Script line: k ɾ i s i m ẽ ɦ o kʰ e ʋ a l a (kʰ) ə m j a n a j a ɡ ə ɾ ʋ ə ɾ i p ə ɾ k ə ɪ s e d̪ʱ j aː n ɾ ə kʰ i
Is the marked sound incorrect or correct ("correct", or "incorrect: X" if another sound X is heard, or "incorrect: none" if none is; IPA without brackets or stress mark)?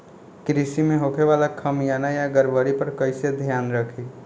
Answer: correct